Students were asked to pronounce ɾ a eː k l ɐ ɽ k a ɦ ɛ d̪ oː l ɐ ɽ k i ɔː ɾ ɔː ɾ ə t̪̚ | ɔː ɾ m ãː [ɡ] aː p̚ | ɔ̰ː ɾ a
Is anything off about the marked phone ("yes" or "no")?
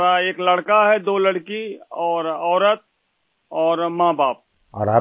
yes